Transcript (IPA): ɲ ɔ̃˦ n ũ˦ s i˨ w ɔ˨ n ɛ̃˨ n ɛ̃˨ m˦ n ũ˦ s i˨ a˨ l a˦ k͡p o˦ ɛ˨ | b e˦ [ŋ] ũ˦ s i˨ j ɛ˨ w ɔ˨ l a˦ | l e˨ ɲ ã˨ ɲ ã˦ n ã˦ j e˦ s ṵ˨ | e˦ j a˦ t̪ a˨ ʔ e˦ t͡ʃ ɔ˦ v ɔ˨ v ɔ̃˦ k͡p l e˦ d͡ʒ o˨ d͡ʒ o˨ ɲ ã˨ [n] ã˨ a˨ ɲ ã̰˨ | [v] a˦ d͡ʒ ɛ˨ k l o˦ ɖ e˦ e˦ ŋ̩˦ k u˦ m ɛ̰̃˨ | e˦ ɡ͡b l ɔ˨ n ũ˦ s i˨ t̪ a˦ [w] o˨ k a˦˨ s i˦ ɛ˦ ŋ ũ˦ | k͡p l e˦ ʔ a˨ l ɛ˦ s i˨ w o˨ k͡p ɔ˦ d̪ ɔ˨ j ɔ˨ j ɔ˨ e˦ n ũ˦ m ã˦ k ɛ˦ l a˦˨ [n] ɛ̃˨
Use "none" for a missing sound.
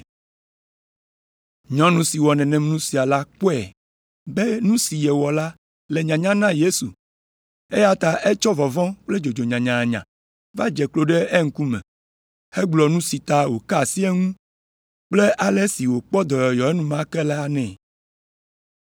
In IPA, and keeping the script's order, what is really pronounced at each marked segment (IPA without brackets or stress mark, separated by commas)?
n, ɲ, v, w, n